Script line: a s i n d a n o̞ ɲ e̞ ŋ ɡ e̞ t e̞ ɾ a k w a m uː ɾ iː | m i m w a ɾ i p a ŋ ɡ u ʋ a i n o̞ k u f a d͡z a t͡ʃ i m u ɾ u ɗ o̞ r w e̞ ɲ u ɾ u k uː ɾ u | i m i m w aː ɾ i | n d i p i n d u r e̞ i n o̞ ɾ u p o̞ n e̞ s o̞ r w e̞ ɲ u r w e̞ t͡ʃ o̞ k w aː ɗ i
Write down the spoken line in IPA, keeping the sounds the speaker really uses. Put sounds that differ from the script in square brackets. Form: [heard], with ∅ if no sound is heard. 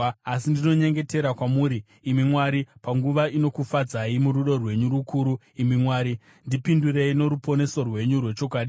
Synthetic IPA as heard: a s i n d [i] n o̞ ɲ e̞ ŋ ɡ e̞ t e̞ ɾ a k w a m uː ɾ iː | m i m w a ɾ i p a ŋ ɡ u ʋ a i n o̞ k u f a d͡z a [∅] i m u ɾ u ɗ o̞ r w e̞ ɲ u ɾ u k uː ɾ u | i m i m w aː ɾ i | n d i p i n d u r e̞ i n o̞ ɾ u p o̞ n e̞ s o̞ r w e̞ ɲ u r w e̞ t͡ʃ o̞ k w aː ɗ i

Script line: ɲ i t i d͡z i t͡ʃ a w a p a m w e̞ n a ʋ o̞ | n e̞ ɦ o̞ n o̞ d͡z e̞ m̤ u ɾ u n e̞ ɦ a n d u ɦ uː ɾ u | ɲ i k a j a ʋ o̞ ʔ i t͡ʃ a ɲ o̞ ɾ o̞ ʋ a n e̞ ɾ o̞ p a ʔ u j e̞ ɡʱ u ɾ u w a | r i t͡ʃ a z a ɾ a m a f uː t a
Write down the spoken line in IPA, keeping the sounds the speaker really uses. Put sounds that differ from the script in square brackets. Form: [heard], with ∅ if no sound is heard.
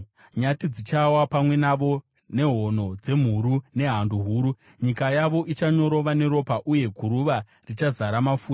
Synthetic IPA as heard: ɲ [a] t i d͡z i t͡ʃ a w a p a m w e̞ n a ʋ o̞ | n e̞ ɦ o̞ n o̞ d͡z e̞ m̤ u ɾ u n e̞ ɦ a n d u ɦ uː ɾ u | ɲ i k a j a ʋ o̞ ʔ i t͡ʃ a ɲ o̞ ɾ o̞ ʋ a n e̞ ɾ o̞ p a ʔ u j e̞ ɡʱ u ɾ u [ʋ] a | r i t͡ʃ a z a ɾ a m a f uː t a

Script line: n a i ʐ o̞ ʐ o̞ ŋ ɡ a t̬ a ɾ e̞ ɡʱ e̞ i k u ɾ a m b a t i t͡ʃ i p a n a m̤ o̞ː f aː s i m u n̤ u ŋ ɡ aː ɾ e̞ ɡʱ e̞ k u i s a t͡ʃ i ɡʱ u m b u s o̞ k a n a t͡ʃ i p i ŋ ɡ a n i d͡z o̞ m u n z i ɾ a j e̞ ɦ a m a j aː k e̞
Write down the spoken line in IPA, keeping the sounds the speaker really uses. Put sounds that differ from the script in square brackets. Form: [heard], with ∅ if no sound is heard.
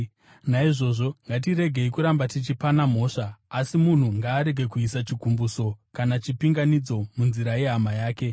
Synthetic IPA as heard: n a i ʐ o̞ ʐ o̞ ŋ ɡ a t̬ [i] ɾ e̞ ɡʱ e̞ i k u ɾ a m b a t i t͡ʃ i p a n a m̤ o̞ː [ʂ] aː s i m u n̤ u ŋ ɡ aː ɾ e̞ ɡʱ e̞ k u i s a t͡ʃ i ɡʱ u m b u s o̞ k a n a t͡ʃ i p i ŋ ɡ a n i d͡z o̞ m u n z i ɾ a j e̞ ɦ a m a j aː k e̞

